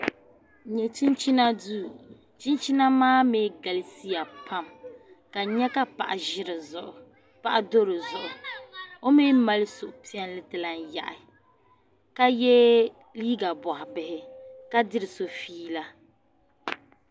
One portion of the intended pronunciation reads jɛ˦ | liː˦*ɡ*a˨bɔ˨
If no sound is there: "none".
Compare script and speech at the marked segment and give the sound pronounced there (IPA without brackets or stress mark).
ɡ